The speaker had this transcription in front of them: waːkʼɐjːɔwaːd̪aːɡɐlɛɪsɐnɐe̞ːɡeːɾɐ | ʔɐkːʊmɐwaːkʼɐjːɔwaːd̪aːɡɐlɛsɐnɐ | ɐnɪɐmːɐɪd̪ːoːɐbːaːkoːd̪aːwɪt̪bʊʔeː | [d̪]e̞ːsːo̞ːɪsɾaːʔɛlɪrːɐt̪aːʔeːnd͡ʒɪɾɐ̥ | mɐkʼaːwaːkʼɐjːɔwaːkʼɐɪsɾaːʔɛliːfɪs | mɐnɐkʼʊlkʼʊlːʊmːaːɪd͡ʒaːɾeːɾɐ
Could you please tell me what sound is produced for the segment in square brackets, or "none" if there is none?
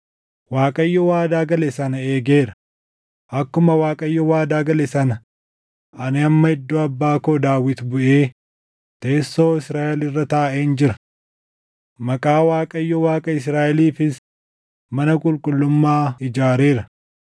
t̪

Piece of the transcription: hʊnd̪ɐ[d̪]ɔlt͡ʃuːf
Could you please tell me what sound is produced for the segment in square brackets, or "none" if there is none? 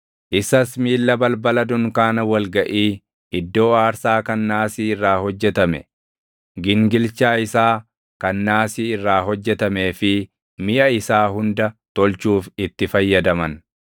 t̪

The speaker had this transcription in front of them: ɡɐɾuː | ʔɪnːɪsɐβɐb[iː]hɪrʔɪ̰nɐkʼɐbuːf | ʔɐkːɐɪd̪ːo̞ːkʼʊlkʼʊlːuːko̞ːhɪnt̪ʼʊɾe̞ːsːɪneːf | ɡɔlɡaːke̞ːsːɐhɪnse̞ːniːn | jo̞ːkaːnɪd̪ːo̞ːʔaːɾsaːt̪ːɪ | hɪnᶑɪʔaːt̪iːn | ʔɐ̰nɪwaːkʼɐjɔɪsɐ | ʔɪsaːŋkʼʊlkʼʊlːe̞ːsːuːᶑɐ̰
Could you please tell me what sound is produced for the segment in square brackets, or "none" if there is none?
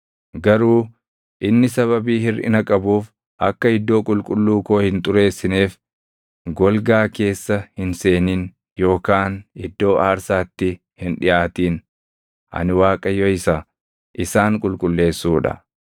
iː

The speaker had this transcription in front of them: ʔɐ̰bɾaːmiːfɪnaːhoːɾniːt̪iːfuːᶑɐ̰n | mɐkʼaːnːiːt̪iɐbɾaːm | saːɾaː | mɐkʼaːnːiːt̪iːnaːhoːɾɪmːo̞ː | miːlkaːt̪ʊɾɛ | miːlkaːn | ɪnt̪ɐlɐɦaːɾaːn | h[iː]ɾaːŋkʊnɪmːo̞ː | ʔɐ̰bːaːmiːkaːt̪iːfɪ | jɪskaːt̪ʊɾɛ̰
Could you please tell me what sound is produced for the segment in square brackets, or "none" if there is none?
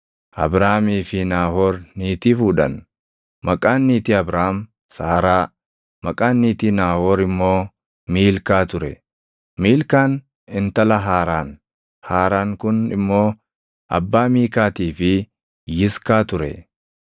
aː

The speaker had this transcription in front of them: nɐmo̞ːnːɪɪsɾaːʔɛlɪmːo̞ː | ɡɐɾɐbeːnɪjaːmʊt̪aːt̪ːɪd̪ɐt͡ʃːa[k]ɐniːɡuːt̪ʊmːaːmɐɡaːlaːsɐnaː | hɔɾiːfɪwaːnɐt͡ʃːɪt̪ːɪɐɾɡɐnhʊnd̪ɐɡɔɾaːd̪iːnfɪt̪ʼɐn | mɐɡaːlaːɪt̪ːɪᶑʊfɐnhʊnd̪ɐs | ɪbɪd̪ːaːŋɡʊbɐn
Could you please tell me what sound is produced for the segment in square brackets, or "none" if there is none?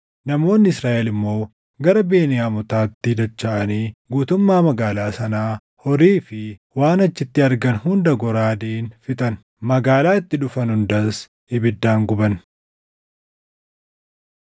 ʔ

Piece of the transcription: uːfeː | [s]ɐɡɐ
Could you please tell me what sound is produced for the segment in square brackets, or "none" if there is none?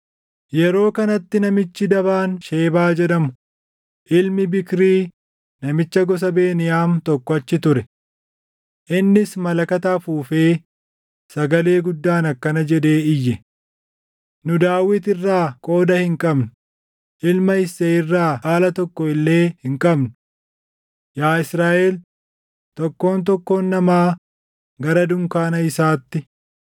s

